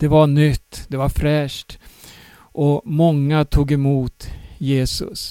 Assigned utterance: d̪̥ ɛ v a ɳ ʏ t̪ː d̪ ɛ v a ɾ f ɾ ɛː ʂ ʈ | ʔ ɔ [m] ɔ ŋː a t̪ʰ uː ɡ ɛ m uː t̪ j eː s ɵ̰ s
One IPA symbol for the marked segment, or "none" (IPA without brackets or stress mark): m